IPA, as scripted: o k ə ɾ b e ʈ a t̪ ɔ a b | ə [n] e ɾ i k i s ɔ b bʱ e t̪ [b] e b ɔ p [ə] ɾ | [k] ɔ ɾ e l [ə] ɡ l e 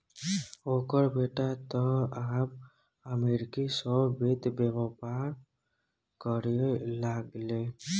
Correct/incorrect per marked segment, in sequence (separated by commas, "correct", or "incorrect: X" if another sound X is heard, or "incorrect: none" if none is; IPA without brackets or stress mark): incorrect: m, correct, incorrect: a, correct, incorrect: a